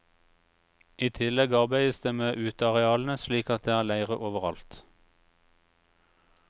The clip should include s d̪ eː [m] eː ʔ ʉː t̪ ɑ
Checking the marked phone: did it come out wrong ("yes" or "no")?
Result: no